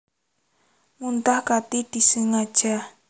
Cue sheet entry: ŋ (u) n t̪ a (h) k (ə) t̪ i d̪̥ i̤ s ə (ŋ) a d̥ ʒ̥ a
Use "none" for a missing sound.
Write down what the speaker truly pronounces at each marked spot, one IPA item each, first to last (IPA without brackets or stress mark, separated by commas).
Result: u, h, a, ŋ